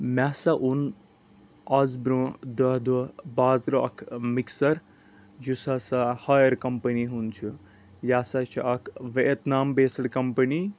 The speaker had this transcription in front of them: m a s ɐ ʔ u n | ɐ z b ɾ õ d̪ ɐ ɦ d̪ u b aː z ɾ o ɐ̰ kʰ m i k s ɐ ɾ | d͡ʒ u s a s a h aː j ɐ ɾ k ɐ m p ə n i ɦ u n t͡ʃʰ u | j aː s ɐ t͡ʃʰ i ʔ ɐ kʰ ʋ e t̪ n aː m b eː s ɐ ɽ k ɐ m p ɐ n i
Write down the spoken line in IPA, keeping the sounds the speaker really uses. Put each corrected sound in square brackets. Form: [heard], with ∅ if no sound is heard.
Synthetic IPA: m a s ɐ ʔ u n | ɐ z b ɾ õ d̪ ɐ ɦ d̪ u b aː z ɾ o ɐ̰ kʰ m i k s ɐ ɾ | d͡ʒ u s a s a h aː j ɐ ɾ k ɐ m p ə n i ɦ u n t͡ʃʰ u | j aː s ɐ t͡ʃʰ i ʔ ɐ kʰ ʋ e t̪ n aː m b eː s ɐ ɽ k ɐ m p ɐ n i